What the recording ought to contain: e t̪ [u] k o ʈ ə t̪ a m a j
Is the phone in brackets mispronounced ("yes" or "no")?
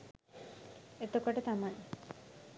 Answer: yes